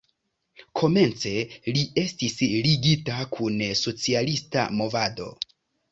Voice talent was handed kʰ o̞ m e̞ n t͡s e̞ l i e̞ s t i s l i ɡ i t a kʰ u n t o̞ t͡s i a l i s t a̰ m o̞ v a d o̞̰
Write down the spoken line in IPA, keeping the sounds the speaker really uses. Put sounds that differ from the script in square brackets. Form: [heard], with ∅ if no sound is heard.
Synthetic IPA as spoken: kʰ o̞ m e̞ n t͡s e̞ l i e̞ s t i s l i ɡ i t a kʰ u n [s] o̞ t͡s i a l i s t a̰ m o̞ v a d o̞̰